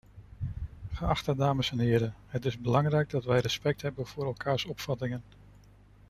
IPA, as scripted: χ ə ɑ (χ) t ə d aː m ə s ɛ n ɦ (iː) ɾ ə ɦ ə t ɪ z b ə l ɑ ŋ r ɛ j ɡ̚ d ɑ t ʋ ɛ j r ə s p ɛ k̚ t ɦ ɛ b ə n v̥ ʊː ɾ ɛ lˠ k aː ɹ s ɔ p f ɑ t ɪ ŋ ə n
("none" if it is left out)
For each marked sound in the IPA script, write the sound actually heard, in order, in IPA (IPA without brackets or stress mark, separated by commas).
χ, ɪː